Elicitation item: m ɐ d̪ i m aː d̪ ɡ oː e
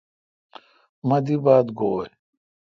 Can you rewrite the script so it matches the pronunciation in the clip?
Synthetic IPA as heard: m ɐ d̪ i b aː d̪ ɡ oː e